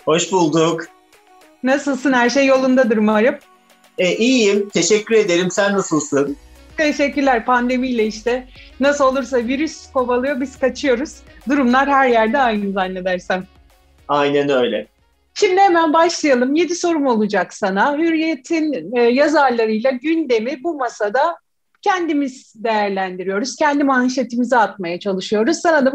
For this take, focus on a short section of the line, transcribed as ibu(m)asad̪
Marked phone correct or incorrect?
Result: correct